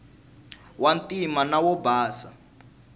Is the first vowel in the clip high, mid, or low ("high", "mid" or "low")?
low